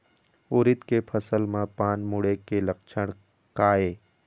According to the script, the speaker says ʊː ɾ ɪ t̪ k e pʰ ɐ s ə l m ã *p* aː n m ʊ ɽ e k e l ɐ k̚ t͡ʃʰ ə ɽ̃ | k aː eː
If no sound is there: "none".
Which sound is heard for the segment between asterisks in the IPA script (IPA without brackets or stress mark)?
p